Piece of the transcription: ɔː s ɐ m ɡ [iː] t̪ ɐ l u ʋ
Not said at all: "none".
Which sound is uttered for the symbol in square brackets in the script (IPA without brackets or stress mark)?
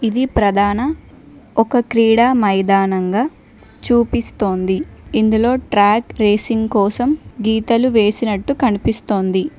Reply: iː